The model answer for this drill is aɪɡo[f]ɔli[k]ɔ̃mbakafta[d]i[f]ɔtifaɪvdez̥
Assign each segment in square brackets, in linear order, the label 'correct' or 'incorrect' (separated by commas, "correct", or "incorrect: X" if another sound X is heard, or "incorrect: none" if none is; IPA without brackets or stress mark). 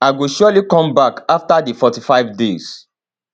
incorrect: ʃ, correct, correct, correct